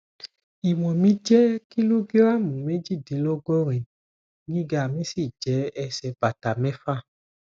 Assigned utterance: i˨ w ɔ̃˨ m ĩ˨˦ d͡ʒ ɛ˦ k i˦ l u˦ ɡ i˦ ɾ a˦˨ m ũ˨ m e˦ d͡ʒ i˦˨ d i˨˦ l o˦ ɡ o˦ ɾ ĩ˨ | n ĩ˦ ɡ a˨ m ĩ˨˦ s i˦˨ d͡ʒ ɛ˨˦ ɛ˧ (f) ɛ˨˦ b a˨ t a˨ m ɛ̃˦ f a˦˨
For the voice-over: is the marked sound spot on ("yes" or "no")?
no